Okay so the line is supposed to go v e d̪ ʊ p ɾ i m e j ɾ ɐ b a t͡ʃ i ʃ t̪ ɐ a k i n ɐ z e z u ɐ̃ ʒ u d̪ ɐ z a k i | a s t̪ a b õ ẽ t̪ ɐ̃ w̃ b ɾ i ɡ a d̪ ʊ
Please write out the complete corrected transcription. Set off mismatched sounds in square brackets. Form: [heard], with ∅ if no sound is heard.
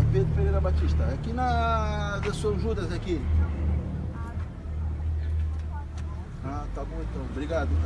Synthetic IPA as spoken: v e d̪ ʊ p ɾ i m e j ɾ ɐ b a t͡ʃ i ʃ t̪ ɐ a k i n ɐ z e [s] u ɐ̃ ʒ u d̪ ɐ z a k i | a [∅] t̪ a b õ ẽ t̪ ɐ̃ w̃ b ɾ i ɡ a d̪ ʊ